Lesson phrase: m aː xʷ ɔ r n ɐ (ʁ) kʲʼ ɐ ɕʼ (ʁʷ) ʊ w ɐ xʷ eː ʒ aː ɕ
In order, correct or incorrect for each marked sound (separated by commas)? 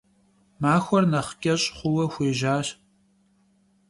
incorrect, incorrect